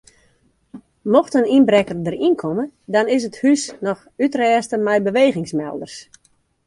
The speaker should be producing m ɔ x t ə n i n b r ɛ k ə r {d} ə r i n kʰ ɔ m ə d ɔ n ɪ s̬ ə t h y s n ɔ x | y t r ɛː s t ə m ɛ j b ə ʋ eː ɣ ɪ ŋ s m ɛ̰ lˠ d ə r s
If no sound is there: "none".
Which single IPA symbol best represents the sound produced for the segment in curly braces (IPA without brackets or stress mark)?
d